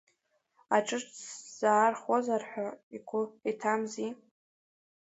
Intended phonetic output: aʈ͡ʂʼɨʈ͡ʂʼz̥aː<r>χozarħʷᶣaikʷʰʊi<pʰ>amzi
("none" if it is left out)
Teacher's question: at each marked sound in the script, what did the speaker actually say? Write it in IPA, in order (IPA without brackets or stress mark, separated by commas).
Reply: r, tʰ